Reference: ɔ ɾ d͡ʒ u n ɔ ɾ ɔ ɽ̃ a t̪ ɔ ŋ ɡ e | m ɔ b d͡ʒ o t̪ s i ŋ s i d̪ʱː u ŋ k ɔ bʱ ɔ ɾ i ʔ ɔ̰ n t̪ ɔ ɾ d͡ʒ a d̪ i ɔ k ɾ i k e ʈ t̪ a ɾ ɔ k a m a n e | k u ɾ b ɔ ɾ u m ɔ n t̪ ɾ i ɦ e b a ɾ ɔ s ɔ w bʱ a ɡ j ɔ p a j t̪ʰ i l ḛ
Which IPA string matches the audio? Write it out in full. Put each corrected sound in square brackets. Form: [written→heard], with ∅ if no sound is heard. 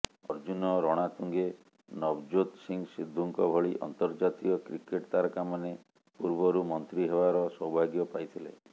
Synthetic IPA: ɔ ɾ d͡ʒ u n ɔ ɾ ɔ ɽ̃ a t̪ [ɔ→u] ŋ ɡ e | [m→n] ɔ b d͡ʒ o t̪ s i ŋ s i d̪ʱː u ŋ k ɔ bʱ ɔ [ɾ→ɭ] i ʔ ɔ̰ n t̪ ɔ ɾ d͡ʒ a [d̪→t̪] i ɔ k ɾ i k e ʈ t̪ a ɾ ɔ k a m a n e | [k→p] u ɾ b ɔ ɾ u m ɔ n t̪ ɾ i ɦ e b a ɾ ɔ s ɔ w bʱ a ɡ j ɔ p a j t̪ʰ i l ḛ